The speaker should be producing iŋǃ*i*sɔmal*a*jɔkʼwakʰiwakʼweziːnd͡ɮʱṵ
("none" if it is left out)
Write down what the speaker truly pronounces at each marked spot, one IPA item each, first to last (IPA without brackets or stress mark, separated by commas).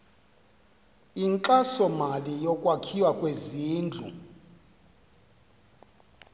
a, i